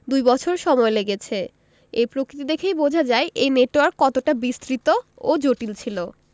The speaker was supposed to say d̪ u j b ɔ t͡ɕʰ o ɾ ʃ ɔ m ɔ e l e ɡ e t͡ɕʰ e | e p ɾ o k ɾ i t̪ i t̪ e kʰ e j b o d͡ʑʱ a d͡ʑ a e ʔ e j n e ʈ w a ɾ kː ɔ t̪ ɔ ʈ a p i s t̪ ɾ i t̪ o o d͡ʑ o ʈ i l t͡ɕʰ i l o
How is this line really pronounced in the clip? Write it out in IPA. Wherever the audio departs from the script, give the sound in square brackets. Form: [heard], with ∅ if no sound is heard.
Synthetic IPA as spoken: d̪ u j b ɔ t͡ɕʰ o ɾ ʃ ɔ m ɔ e l e ɡ e t͡ɕʰ e | e p ɾ o k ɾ i t̪ i [d̪] e kʰ e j b o d͡ʑʱ a d͡ʑ a e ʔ e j n e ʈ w a ɾ kː ɔ t̪ [o] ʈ a [b] i s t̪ ɾ i t̪ o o d͡ʑ o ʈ i l t͡ɕʰ i l o